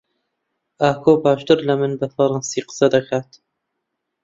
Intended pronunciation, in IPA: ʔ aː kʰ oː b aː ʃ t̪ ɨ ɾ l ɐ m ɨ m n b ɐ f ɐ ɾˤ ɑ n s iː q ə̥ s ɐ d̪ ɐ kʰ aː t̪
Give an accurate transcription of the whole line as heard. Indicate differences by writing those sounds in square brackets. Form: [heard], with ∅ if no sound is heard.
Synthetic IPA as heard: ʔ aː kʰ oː b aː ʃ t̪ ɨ ɾ l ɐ m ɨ [∅] n b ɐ f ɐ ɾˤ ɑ n s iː q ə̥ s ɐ d̪ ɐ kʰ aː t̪